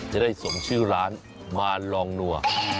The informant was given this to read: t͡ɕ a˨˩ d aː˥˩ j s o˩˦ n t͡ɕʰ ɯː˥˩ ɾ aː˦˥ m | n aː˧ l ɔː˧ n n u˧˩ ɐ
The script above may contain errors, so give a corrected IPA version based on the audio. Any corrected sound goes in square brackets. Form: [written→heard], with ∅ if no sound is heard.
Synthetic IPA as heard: t͡ɕ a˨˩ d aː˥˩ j s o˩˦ [n→ŋ] t͡ɕʰ ɯː˥˩ ɾ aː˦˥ [m→n] | [n→m] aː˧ l ɔː˧ [n→ŋ] n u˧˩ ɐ